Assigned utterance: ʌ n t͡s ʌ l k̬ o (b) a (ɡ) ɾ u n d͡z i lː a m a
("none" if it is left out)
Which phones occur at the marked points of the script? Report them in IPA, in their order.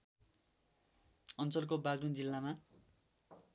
b, ɡ

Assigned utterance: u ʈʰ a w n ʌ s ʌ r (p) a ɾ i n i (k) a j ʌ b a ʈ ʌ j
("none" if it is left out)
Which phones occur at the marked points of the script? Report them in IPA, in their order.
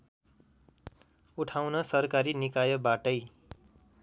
k, k

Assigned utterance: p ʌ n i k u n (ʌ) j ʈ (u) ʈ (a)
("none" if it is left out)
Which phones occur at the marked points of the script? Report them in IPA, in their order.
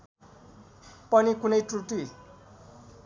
ʌ, u, i

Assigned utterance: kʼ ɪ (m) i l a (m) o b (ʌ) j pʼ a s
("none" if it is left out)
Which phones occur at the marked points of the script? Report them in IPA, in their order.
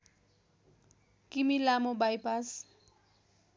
m, m, a

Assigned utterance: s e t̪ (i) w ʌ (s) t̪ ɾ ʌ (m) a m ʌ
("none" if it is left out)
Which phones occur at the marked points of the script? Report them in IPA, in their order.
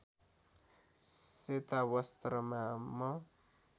a, s, m

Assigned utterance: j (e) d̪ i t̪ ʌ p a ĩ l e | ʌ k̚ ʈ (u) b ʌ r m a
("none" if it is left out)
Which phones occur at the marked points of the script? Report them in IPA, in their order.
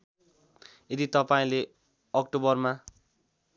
e, o

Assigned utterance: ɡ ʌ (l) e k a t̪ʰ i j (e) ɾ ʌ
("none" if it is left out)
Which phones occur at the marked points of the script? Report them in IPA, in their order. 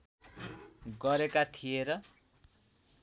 ɾ, e

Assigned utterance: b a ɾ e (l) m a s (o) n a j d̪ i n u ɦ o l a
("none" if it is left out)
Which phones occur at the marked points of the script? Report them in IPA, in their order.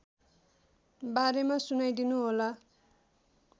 none, u

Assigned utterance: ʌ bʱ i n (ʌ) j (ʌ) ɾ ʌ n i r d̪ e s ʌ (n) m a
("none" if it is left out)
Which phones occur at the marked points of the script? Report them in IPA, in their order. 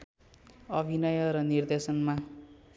ʌ, ʌ, n

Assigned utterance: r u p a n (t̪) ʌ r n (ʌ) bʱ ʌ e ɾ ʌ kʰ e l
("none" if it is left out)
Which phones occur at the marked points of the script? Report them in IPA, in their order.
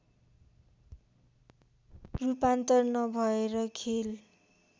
t̪, ʌ

